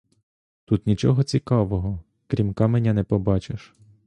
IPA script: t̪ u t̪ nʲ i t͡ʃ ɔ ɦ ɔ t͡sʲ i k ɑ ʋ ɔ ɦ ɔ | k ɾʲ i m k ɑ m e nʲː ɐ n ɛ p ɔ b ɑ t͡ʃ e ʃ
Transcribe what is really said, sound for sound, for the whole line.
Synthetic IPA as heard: t̪ u t̪ nʲ i t͡ʃ ɔ ɦ ɔ t͡sʲ i k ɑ ʋ ɔ ɦ ɔ | k ɾʲ i m k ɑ m e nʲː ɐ n ɛ p ɔ b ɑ t͡ʃ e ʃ